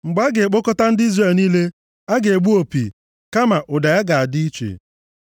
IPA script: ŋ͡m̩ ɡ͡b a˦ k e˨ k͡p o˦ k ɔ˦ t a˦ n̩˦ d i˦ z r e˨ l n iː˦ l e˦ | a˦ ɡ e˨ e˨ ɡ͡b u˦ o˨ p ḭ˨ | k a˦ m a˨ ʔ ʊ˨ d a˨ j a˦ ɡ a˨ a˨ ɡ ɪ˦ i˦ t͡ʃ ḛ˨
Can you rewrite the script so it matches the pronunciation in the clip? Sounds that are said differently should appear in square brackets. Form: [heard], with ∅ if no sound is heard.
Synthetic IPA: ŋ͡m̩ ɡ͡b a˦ [ɡ] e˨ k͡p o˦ k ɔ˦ t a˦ n̩˦ d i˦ z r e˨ l n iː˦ l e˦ | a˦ ɡ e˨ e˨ ɡ͡b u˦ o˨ p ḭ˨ | k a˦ m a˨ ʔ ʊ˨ d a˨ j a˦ ɡ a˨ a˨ [d] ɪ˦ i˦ t͡ʃ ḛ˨